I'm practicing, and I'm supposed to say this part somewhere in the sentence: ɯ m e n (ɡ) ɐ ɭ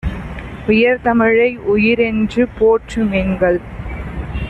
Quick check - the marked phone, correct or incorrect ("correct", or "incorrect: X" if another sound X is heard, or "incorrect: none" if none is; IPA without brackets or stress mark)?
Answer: correct